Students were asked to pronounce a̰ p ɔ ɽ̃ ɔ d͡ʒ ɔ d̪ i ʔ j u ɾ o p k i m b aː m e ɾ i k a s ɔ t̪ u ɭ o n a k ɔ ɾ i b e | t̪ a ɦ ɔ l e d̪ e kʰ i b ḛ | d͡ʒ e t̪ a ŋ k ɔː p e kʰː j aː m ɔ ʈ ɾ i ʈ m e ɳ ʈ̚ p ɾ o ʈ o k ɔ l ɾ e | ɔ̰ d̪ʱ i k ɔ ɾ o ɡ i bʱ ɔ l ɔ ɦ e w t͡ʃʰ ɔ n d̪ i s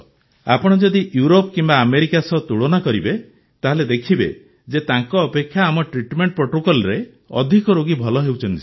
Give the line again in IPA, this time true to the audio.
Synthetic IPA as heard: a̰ p ɔ ɽ̃ ɔ d͡ʒ ɔ d̪ i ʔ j u ɾ o p k i m b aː m e ɾ i k a s ɔ t̪ u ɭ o n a k ɔ ɾ i b e | t̪ a ɦ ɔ l e d̪ e kʰ i b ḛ | d͡ʒ e t̪ a ŋ k ɔː p e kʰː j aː m ɔ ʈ ɾ i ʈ m e ɳ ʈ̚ p ɾ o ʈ o k ɔ l ɾ e | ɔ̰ d̪ʱ i k ɔ ɾ o ɡ i bʱ ɔ l ɔ ɦ e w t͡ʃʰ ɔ n t̪ i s